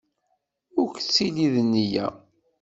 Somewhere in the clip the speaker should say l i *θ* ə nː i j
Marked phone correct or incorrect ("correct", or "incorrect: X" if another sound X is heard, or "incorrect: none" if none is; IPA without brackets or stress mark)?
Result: incorrect: ð